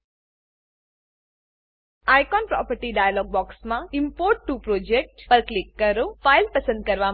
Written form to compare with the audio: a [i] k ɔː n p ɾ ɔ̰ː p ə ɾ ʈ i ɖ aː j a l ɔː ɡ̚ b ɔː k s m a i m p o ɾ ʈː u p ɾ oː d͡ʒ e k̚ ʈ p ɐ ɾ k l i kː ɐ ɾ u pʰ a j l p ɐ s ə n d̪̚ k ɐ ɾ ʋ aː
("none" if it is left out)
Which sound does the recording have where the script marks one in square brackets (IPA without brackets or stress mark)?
j